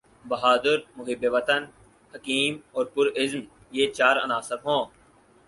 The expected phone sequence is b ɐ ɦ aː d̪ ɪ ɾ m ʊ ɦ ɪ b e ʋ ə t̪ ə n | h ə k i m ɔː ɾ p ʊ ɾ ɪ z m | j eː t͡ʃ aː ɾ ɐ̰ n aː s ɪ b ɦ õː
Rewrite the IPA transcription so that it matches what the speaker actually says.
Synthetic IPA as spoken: b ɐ ɦ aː d̪ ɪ ɾ m ʊ ɦ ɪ b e ʋ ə t̪ ə n | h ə k iː m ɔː ɾ p ʊ ɾ ɪ z m | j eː t͡ʃ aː ɾ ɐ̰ n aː s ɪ b ɦ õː